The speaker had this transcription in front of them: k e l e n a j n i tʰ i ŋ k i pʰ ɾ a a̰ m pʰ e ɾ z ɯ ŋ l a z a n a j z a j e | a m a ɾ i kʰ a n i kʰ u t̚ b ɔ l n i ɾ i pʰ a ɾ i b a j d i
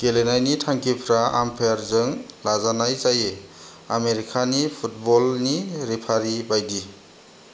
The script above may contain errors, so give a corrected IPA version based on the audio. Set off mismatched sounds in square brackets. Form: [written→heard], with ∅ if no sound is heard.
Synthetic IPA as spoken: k e l e n a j n i tʰ [i→a] ŋ k i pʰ ɾ a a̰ m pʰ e ɾ z ɯ ŋ l a z a n a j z a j e | a m [a→e] ɾ i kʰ a n i [kʰ→pʰ] u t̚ b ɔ l n i ɾ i pʰ a ɾ i b a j d i